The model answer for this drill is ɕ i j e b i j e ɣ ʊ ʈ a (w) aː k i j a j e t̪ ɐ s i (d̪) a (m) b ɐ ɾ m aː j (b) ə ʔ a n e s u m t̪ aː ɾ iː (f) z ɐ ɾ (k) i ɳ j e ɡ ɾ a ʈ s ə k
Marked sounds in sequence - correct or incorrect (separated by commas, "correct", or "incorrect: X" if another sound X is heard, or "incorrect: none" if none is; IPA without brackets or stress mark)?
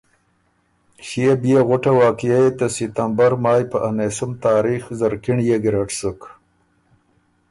correct, incorrect: t̪, correct, incorrect: p, incorrect: x, correct